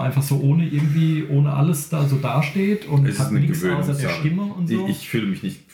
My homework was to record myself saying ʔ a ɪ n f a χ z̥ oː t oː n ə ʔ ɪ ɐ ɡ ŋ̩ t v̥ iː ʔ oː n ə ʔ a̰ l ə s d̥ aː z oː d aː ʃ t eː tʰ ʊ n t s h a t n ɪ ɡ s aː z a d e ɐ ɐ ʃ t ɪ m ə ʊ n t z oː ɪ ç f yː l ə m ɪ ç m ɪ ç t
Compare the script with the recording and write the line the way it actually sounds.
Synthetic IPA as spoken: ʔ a ɪ n f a χ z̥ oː ʔ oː n ə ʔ ɪ ɐ ɡ ŋ̩ t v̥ iː ʔ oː n ə ʔ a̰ l ə s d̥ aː z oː d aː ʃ t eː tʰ ʊ n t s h a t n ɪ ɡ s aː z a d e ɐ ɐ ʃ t ɪ m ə ʊ n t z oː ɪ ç f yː l ə m ɪ ç n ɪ ç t